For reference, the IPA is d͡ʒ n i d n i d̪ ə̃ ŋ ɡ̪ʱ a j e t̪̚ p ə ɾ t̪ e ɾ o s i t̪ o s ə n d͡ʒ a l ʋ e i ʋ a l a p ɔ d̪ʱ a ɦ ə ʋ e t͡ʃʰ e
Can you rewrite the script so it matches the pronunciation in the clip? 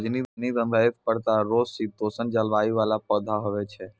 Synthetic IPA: d͡ʒ n i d n i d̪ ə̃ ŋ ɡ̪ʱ a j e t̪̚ p ə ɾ t̪ a ɾ o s i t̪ o s ə n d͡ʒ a l ʋ a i ʋ a l a p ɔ d̪ʱ a ɦ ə ʋ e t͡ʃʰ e